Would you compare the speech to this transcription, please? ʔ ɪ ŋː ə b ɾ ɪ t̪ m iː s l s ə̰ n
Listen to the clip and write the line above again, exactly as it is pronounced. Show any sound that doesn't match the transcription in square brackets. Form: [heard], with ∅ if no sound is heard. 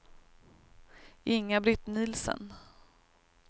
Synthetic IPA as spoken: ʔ ɪ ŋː [a] b ɾ ɪ t̪ [n] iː [∅] l s ə̰ n